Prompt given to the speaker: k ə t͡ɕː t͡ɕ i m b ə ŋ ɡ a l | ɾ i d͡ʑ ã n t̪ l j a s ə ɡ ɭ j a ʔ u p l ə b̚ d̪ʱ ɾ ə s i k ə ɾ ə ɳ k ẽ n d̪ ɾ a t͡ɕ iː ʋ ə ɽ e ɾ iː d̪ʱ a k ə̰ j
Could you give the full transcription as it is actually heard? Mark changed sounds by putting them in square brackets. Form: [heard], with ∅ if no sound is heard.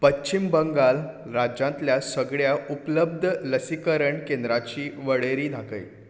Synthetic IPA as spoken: [p] ə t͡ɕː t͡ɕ i m b ə ŋ ɡ a l | ɾ [a] d͡ʑ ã n t̪ l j a s ə ɡ ɭ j a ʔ u p l ə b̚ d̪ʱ [l] ə s i k ə ɾ ə ɳ k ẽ n d̪ ɾ a t͡ɕ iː ʋ ə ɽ e ɾ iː d̪ʱ a k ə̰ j